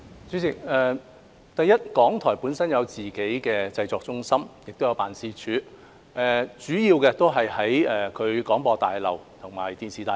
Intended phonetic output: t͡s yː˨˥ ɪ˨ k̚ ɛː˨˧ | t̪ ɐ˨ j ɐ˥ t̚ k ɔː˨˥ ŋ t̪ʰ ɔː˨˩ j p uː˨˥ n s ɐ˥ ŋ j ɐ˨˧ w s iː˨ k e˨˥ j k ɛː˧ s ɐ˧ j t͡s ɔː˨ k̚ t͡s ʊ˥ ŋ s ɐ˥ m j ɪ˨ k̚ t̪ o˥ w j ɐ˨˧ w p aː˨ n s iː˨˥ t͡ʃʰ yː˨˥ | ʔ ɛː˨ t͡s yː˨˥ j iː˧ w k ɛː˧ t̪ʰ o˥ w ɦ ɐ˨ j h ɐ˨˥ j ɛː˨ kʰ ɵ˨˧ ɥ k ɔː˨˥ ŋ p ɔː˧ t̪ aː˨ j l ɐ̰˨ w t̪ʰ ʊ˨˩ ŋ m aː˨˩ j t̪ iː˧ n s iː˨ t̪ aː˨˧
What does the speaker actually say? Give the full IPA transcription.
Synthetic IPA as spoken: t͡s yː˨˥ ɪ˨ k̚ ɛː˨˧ | t̪ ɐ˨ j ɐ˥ t̚ k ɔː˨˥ ŋ t̪ʰ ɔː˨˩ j p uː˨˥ n s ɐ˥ n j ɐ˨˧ w t͡s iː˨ k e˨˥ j k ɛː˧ t͡s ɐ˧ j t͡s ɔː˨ k̚ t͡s ʊ˥ ŋ s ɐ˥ m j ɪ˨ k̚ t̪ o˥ w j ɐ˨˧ w p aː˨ n s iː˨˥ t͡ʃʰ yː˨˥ | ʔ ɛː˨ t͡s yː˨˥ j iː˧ w k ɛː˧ t̪ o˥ w ɦ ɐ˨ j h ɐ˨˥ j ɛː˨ kʰ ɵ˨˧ ɥ k ɔː˨˥ ŋ p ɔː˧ t̪ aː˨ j l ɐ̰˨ w t̪ʰ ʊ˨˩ ŋ m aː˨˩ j t̪ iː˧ n s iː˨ t̪ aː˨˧